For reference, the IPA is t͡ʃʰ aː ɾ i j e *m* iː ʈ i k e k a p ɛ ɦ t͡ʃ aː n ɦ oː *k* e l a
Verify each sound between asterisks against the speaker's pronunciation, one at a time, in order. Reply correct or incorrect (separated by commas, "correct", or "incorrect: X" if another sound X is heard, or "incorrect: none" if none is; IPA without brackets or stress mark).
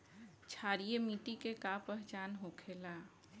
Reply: correct, incorrect: kʰ